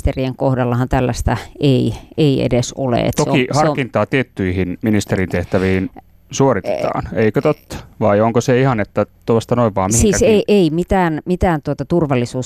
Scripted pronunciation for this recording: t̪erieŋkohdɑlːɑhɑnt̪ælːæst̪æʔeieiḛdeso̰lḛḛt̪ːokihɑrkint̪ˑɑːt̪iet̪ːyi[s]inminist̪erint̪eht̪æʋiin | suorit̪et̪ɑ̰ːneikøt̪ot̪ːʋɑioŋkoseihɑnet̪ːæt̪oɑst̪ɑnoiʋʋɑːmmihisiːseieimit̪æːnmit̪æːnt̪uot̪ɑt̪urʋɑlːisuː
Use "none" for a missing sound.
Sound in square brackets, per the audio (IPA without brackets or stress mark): h